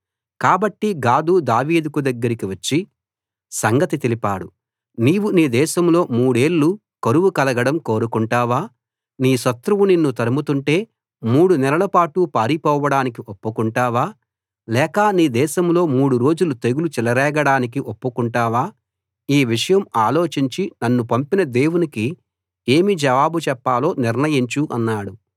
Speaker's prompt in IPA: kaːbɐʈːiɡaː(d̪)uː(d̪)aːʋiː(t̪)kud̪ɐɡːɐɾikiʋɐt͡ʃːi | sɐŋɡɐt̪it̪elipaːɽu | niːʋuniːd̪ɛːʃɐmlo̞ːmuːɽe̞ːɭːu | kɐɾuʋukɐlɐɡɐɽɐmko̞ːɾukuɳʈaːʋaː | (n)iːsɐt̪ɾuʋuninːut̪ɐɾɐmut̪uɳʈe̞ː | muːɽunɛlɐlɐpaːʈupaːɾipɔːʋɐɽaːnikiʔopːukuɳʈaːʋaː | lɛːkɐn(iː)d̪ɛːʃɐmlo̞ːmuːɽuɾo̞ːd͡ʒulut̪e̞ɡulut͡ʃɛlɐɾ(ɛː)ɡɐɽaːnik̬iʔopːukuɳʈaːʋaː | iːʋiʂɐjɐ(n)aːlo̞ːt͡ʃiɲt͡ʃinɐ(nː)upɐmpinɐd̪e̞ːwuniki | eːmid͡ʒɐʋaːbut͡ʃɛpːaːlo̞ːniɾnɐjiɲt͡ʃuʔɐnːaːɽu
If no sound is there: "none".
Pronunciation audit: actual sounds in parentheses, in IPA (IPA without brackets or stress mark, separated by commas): d̪, d̪, d̪, n, iː, ɛː, m, nː